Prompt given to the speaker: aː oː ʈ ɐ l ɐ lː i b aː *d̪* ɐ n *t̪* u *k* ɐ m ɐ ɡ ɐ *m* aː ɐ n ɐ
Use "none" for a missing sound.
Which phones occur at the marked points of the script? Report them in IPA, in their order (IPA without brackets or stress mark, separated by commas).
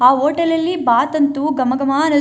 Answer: t̪, t̪, ɡ, m